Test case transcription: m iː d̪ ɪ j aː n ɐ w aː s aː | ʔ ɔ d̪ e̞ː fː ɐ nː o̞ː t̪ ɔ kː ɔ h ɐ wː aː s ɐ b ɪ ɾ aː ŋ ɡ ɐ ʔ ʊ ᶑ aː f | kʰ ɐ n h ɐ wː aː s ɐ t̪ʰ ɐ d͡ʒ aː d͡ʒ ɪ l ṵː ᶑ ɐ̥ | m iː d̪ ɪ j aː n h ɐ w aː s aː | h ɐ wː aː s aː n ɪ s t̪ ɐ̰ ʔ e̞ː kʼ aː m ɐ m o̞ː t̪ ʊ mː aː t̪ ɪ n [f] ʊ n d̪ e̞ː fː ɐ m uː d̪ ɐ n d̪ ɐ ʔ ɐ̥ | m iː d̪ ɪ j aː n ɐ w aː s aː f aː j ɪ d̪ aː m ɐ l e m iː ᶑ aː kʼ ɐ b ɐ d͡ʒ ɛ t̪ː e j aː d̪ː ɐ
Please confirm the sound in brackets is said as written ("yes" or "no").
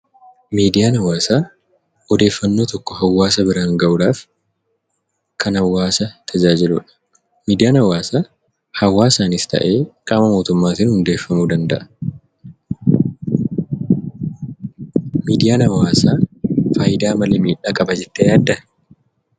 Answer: no